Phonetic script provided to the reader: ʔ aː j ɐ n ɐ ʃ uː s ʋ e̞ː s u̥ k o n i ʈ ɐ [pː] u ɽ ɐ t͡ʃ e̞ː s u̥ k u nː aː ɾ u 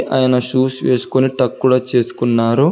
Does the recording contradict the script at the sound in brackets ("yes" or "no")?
yes